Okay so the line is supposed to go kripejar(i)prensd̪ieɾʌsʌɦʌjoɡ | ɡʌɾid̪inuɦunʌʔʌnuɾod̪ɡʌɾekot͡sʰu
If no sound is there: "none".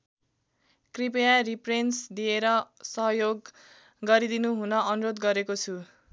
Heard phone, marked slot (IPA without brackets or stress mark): i